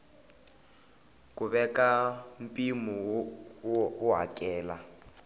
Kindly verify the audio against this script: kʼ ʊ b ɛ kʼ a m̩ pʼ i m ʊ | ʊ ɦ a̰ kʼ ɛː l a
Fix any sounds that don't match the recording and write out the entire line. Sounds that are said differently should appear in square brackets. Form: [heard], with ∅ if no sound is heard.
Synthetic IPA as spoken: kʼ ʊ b ɛ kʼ a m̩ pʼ i m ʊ | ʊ ɦ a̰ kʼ ɛː l a